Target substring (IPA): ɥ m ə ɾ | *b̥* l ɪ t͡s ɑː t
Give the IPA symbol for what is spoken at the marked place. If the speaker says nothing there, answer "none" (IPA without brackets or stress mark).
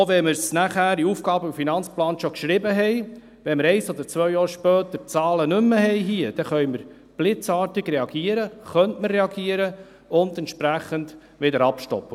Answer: b̥